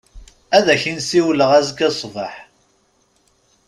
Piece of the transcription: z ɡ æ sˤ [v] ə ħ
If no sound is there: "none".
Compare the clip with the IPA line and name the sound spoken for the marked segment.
v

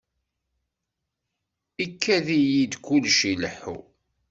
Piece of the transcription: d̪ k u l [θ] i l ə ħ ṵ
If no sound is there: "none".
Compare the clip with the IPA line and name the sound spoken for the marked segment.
ʃ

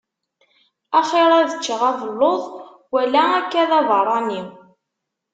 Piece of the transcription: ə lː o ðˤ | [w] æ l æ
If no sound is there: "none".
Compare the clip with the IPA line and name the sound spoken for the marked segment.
w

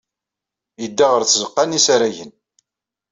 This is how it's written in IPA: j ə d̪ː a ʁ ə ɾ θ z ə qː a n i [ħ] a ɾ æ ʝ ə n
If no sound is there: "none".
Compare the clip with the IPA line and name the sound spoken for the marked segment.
s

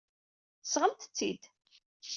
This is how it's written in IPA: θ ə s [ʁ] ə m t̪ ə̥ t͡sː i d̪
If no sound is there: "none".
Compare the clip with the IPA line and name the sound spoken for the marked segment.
ʁ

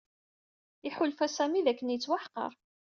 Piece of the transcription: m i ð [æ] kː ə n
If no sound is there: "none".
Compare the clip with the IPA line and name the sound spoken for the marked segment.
æ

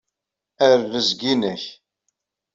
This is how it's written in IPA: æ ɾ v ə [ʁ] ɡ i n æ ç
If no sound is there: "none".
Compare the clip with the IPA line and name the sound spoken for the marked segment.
z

